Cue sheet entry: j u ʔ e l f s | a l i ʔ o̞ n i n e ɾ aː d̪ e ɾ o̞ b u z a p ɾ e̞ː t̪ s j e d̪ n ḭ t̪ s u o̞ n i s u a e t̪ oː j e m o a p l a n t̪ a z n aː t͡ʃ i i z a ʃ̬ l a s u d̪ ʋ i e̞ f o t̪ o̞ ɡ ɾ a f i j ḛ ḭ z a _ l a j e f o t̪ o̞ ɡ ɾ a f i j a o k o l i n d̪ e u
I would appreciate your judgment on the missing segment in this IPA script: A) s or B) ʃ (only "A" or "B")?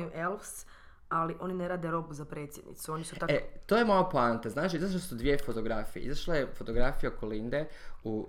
B